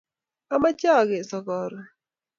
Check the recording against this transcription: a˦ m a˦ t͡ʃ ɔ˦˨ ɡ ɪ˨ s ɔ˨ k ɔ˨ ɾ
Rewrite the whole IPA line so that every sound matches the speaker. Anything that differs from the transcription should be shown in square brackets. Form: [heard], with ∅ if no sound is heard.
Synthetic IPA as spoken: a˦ m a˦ t͡ʃ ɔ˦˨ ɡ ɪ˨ s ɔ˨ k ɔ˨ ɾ